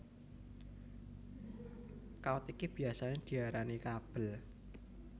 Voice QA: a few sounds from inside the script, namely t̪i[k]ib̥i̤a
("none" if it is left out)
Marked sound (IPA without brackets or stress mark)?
k